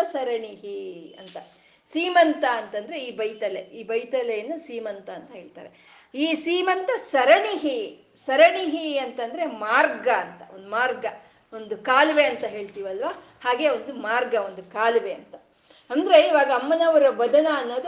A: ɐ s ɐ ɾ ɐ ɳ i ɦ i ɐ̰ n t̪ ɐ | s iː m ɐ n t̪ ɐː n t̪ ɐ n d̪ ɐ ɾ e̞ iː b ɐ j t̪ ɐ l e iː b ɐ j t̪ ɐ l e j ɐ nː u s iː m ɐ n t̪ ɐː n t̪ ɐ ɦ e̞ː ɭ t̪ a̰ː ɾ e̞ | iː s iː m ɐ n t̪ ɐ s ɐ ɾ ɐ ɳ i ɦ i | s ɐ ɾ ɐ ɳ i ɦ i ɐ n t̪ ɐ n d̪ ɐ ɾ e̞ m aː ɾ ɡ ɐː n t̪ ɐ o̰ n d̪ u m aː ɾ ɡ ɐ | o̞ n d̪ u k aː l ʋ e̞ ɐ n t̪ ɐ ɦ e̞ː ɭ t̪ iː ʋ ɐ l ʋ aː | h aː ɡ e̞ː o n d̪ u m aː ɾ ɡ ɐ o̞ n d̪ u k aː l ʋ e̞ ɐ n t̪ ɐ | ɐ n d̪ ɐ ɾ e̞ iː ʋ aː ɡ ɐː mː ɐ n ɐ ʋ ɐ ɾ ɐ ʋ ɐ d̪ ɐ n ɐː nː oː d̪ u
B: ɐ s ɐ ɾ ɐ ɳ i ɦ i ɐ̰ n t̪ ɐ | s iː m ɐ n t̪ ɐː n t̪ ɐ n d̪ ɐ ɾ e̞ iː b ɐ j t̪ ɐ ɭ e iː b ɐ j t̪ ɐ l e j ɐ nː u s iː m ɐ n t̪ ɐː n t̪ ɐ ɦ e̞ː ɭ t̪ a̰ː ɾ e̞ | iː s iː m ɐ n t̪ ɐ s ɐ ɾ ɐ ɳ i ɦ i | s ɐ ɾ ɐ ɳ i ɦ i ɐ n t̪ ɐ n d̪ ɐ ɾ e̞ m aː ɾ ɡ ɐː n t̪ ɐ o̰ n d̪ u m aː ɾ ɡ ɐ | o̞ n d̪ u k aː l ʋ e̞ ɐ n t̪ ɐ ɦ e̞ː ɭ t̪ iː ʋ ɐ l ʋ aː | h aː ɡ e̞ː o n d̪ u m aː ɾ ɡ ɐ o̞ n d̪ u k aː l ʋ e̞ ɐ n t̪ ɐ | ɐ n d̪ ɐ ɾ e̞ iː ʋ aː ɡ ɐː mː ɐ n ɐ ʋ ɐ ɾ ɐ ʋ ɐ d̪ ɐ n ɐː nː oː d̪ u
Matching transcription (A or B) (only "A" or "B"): A